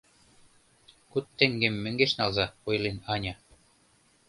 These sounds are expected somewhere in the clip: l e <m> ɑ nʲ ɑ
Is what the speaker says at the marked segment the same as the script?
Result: no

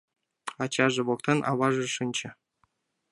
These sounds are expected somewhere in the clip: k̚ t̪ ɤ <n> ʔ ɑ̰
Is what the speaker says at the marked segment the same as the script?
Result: yes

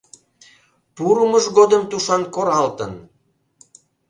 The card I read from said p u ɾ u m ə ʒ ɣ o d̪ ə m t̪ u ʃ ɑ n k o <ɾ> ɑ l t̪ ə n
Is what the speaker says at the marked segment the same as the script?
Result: yes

